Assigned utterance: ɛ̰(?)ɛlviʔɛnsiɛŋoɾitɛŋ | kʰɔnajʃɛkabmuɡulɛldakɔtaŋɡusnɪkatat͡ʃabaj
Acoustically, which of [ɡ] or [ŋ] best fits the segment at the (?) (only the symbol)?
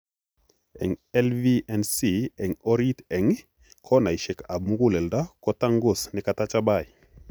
ŋ